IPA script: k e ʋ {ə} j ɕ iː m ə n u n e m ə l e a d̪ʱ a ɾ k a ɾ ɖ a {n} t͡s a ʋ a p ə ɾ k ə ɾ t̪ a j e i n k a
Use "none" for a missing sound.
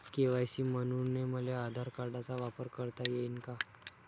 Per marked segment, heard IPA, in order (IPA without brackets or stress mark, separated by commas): a, none